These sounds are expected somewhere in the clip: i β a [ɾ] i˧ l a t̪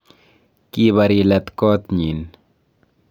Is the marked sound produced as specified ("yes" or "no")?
yes